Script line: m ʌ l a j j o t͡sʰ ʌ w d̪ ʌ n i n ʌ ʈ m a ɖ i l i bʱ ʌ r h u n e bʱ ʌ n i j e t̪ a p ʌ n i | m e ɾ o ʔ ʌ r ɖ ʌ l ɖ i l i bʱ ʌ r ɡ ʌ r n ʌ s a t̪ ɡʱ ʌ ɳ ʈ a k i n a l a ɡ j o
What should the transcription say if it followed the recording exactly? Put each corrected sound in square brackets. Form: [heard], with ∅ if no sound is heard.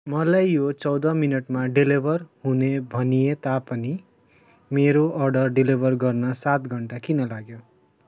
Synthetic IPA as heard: m ʌ l a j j o [t͡s] ʌ w d̪ ʌ [m] i n ʌ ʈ m a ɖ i l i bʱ ʌ r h u n e bʱ ʌ n i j e t̪ a p ʌ n i | m e ɾ o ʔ ʌ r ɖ ʌ [r] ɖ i l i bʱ ʌ r ɡ ʌ r n ʌ s a t̪ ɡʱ ʌ ɳ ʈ a k i n [ʌ] l a ɡ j o